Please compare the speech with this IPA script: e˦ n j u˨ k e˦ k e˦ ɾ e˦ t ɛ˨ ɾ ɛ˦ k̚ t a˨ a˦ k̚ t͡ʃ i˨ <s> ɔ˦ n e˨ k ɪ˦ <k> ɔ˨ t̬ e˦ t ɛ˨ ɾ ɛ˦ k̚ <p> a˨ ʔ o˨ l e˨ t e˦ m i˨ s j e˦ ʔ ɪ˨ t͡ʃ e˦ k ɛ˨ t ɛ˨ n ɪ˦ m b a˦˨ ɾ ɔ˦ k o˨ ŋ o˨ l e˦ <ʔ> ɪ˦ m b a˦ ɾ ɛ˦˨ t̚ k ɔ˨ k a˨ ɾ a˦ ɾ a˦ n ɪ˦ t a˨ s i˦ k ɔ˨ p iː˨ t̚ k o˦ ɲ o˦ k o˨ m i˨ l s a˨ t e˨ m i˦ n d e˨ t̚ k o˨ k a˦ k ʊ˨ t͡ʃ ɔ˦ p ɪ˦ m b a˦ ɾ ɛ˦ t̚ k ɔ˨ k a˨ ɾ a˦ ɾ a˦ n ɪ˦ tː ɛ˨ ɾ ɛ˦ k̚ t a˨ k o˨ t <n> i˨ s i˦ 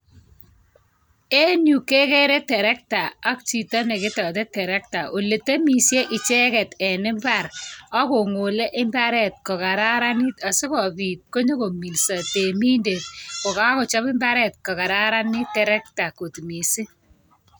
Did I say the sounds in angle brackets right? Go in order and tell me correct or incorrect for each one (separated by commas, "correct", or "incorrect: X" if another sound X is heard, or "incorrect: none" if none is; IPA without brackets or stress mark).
incorrect: t, incorrect: t, incorrect: t, correct, incorrect: m